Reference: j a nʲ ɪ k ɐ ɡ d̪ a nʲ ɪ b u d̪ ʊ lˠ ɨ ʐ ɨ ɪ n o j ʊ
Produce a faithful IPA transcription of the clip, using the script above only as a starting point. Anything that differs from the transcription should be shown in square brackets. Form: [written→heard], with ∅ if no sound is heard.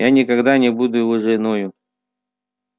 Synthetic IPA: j a nʲ ɪ k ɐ ɡ d̪ a nʲ ɪ b u d̪ ʊ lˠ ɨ ʐ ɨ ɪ n o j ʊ